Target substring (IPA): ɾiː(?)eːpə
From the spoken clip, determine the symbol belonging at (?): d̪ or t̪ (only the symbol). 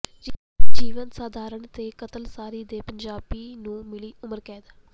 d̪